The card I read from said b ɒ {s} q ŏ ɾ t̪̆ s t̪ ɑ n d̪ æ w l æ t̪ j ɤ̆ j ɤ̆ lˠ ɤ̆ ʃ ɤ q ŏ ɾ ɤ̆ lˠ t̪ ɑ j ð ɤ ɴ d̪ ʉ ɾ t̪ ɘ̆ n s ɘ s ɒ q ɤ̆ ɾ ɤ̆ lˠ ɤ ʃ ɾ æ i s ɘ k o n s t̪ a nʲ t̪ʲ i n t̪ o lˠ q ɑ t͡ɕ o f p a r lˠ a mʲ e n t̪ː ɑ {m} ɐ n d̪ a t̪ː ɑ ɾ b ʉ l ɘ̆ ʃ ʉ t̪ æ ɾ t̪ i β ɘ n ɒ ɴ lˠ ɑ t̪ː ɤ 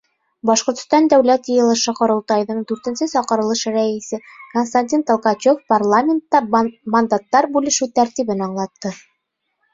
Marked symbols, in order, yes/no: no, yes

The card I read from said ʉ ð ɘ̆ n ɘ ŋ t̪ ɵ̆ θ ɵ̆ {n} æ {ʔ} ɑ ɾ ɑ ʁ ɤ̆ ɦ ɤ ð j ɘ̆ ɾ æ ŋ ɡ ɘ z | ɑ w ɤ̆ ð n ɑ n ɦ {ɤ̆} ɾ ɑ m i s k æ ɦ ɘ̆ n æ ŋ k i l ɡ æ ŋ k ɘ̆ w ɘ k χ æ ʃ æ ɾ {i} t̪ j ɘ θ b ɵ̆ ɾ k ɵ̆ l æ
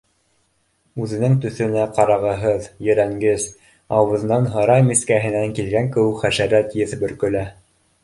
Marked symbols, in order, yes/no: yes, no, yes, no

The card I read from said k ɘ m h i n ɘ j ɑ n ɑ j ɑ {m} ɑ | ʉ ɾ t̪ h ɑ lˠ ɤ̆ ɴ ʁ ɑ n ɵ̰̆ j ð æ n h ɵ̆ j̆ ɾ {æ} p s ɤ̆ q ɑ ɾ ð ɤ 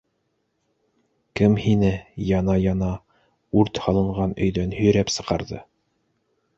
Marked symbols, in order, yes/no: no, yes

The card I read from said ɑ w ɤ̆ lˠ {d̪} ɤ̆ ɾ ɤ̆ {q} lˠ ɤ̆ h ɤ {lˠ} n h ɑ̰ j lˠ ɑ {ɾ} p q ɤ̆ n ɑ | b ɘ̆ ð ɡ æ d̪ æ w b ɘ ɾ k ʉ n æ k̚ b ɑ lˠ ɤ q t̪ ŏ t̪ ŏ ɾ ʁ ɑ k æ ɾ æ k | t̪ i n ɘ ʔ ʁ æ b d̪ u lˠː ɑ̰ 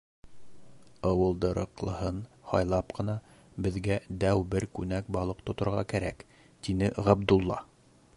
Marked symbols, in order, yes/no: yes, yes, no, no

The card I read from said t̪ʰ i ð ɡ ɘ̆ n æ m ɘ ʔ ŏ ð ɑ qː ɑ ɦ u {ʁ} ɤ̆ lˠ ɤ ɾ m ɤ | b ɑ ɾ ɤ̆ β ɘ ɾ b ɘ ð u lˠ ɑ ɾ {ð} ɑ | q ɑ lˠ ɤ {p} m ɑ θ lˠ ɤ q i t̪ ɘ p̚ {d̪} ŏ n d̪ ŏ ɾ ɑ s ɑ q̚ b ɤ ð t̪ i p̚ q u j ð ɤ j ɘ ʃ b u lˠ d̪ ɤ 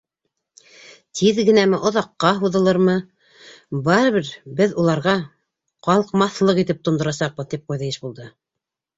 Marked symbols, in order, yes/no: no, no, no, no

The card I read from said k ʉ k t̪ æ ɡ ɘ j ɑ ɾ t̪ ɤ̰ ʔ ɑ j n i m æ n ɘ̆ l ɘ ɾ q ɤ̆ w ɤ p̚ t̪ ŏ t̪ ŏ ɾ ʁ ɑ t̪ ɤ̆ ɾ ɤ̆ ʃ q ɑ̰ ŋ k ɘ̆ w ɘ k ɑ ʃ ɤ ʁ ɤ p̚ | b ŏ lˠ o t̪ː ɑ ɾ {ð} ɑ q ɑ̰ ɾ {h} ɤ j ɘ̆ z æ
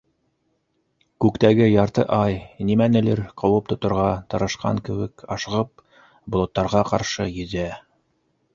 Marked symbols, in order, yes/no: no, no

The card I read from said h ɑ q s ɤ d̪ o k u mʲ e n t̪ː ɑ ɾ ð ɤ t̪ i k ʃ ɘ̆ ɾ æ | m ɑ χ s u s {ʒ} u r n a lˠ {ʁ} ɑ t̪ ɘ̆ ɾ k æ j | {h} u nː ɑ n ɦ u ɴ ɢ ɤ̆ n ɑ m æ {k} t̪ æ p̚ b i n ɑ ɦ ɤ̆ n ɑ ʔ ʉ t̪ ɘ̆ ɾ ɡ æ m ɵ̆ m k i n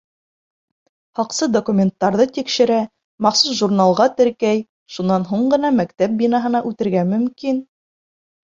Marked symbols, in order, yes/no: yes, yes, no, yes

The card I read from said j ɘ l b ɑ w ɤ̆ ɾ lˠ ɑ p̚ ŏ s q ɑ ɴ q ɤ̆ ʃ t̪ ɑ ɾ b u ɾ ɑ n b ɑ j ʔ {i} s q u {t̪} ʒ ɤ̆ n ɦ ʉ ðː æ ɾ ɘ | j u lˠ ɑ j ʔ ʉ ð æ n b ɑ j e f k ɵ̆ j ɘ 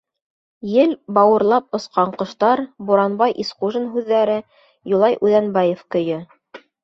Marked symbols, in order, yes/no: yes, no

